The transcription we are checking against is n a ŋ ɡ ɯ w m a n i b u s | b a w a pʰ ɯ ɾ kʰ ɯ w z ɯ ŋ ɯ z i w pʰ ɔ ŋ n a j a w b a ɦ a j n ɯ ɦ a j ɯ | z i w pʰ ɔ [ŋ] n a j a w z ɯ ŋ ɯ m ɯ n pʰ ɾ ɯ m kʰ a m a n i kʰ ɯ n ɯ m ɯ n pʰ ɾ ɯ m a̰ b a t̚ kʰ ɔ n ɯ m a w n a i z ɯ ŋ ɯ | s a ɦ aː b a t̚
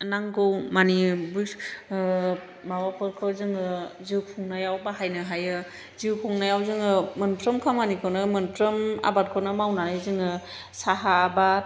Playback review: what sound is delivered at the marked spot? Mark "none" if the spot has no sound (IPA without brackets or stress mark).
ŋ